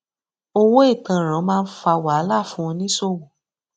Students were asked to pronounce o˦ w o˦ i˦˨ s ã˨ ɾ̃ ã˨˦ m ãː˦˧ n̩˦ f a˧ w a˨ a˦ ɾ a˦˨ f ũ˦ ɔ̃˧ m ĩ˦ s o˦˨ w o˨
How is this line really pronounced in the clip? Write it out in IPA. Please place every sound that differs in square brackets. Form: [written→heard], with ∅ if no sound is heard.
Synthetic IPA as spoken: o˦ w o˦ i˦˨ [s→t] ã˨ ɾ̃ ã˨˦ m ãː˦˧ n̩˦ f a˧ w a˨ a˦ [ɾ→l] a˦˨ f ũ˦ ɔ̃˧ [m→n] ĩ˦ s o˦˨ w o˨